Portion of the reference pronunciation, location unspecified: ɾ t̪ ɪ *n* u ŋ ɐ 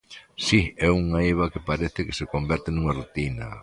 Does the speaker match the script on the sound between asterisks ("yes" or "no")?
yes